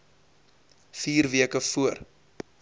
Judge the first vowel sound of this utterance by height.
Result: high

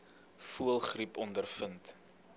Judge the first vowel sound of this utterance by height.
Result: high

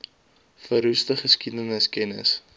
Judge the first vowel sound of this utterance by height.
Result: mid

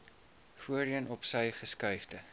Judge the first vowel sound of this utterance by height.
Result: high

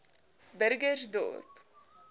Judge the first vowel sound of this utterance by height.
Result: mid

